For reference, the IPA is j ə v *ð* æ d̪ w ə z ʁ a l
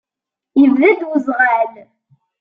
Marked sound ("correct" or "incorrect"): correct